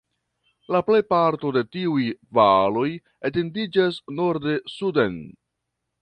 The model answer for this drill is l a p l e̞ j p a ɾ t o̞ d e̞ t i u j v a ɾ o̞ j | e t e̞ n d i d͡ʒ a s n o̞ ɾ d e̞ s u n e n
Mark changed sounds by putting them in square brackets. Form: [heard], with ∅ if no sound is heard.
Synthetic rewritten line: l a p l e̞ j p a ɾ t o̞ d e̞ t i u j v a [l] o̞ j | e t e̞ n d i d͡ʒ a s n o̞ ɾ d e̞ s u [d] e n